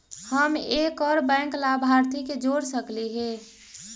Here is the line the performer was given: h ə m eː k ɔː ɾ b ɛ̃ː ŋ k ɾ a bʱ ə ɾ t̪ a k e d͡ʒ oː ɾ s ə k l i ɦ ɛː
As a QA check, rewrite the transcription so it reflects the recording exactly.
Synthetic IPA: h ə m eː k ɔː ɾ b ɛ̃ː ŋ k l a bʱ a ɾ t̪ i k e d͡ʒ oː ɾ s ə k l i ɦ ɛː